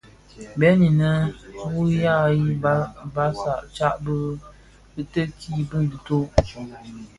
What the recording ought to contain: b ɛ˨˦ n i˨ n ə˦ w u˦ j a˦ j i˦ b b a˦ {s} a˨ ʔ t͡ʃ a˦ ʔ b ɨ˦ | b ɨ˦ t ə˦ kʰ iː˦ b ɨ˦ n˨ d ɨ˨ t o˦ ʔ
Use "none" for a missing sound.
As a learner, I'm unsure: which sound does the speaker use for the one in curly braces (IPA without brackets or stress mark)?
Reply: s